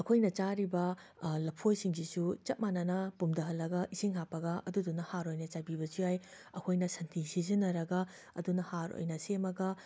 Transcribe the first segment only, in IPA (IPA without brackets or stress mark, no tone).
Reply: ɐ